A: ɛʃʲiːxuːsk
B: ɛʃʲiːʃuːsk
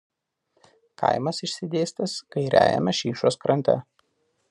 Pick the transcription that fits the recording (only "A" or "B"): B